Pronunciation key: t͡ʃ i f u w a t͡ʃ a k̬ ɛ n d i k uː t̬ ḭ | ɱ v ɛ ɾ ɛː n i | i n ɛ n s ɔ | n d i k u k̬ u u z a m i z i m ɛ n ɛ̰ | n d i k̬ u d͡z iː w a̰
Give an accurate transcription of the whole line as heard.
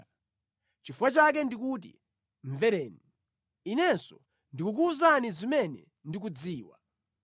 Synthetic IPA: t͡ʃ i f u w a t͡ʃ a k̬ ɛ n d i k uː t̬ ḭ | ɱ v ɛ ɾ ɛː n i | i n ɛ n s ɔ | n d i k u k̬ u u z a n i z i m ɛ n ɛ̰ | n d i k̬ u d͡z iː w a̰